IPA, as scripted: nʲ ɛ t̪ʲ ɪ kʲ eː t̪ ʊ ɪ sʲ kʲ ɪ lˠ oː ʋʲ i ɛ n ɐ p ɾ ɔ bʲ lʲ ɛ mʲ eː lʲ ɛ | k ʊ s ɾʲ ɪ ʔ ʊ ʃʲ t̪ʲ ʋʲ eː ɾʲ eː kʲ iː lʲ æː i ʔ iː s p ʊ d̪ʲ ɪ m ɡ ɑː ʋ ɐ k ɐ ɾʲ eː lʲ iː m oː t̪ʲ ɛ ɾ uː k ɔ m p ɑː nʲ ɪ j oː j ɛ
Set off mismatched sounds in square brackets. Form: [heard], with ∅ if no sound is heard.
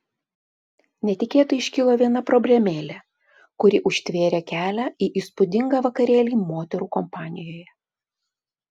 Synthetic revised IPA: nʲ ɛ t̪ʲ ɪ kʲ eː t̪ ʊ ɪ [ʃʲ] kʲ ɪ lˠ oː ʋʲ i ɛ n ɐ p ɾ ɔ bʲ lʲ ɛ mʲ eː lʲ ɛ | k ʊ [∅] ɾʲ ɪ ʔ ʊ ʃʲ t̪ʲ ʋʲ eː ɾʲ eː kʲ [æː] lʲ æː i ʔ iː s p ʊ d̪ʲ ɪ [ŋ] ɡ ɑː ʋ ɐ k ɐ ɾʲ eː lʲ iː m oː t̪ʲ ɛ ɾ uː k ɔ m p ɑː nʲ ɪ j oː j ɛ